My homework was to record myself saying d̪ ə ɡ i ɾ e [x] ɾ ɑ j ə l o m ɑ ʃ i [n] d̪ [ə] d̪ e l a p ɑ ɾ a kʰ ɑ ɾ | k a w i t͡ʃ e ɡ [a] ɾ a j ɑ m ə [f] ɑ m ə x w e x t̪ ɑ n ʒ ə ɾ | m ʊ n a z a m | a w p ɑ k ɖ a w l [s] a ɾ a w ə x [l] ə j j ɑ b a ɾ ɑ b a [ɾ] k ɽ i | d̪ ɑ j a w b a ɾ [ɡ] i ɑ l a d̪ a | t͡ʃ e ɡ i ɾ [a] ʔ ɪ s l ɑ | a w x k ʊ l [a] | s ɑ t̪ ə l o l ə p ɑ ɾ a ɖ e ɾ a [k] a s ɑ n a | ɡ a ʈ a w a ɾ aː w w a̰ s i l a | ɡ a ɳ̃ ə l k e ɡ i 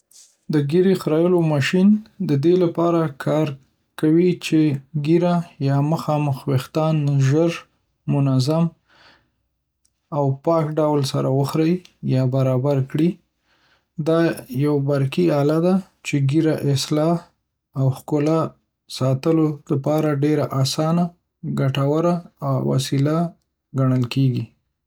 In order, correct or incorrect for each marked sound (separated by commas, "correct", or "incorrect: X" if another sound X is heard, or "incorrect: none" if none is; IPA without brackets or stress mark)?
correct, correct, correct, incorrect: i, incorrect: x, correct, incorrect: ɾ, correct, incorrect: k, correct, correct, incorrect: ʔ